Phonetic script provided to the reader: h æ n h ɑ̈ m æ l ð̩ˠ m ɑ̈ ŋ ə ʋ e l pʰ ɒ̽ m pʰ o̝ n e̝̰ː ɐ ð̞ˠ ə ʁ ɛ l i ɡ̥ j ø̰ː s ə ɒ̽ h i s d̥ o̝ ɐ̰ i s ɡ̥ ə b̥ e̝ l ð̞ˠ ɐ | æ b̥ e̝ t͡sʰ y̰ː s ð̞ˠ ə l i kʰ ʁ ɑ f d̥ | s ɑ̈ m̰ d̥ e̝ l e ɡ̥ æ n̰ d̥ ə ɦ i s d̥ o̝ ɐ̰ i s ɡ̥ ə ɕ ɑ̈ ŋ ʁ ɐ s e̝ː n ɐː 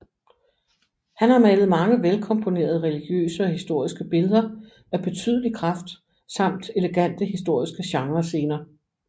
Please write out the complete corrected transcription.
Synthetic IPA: h æ n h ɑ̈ m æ l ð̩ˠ m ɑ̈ ŋ ə ʋ e l kʰ ɒ̽ m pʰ o̝ n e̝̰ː ɐ ð̞ˠ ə ʁ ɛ l i ɡ̥ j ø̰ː s ə ɒ̽ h i s d̥ o̝ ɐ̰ i s ɡ̥ ə b̥ e̝ l ð̞ˠ ɐ | æ b̥ e̝ t͡sʰ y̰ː ð̞ˠ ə l i kʰ ʁ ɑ f d̥ | s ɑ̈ m̰ d̥ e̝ l e ɡ̥ æ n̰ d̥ ə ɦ i s d̥ o̝ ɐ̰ i s ɡ̥ ə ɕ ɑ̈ ŋ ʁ ɐ s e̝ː n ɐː